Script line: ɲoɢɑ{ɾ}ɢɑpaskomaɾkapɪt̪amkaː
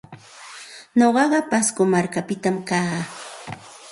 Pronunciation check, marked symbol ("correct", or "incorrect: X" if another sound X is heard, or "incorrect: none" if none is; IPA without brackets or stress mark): incorrect: none